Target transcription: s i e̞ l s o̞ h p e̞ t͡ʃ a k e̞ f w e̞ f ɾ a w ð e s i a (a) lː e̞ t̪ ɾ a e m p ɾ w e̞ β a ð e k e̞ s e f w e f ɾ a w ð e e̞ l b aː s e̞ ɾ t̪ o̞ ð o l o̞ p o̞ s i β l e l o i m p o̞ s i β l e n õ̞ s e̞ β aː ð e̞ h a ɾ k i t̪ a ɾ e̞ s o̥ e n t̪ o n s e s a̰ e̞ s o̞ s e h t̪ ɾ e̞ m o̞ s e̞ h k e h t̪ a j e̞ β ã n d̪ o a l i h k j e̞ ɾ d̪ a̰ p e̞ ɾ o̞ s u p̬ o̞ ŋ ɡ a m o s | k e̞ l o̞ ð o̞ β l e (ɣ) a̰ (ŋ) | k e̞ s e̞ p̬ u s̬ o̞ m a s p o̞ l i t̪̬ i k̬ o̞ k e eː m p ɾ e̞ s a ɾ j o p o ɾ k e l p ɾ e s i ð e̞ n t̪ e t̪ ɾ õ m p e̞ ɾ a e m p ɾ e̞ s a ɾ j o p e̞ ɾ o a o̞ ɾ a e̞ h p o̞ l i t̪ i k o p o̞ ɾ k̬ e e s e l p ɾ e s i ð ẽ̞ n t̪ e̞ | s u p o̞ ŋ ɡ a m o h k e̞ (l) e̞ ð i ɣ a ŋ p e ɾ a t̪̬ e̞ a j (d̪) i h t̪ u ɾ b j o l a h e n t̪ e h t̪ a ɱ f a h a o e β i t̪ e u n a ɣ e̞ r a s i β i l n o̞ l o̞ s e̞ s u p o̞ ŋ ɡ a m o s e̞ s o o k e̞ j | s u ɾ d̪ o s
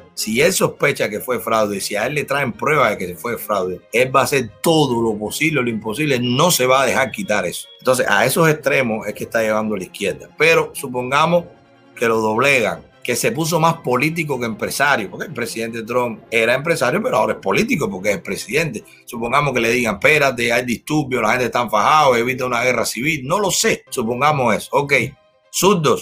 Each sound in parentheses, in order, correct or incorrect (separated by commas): incorrect, correct, correct, correct, correct